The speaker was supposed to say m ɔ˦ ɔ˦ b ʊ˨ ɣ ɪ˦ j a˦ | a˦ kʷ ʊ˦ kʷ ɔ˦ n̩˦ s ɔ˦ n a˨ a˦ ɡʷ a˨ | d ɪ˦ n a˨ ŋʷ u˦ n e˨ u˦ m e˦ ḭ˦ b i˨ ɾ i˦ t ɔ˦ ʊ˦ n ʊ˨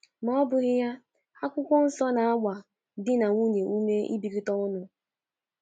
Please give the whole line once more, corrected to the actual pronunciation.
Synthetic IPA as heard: m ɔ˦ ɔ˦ b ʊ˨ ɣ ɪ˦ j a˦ | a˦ kʷ ʊ˦ kʷ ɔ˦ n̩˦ s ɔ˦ n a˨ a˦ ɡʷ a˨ | d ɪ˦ n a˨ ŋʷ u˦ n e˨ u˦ m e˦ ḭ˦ b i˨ ɾ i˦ t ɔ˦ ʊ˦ n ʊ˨